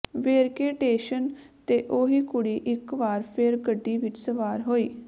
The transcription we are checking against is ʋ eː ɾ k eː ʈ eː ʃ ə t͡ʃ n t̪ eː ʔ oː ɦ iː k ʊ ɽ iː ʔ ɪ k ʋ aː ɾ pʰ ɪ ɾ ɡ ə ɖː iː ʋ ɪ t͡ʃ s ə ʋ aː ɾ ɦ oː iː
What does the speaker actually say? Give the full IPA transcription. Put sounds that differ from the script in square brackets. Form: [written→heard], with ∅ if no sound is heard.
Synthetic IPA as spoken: ʋ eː ɾ k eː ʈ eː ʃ ə [t͡ʃ→∅] n t̪ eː ʔ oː ɦ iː k ʊ ɽ iː ʔ ɪ k ʋ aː ɾ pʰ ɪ ɾ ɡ ə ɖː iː ʋ ɪ t͡ʃ s ə ʋ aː ɾ ɦ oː iː